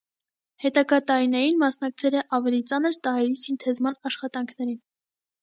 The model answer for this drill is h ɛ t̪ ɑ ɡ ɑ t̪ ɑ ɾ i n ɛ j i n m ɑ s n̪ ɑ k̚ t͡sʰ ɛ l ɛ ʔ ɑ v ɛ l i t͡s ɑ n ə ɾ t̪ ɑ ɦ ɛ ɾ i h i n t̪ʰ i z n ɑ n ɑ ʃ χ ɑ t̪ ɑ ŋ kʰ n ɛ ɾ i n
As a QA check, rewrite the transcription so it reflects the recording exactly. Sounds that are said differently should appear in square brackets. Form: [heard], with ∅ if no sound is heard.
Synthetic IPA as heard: h ɛ t̪ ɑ ɡ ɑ t̪ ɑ ɾ i n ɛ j i n m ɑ s n̪ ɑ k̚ t͡sʰ ɛ l ɛ ʔ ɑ v ɛ l i t͡s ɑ n ə ɾ t̪ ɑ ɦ ɛ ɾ i [s] i n t̪ʰ [ɛ] z [m] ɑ n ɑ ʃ χ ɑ t̪ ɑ ŋ kʰ n ɛ ɾ i n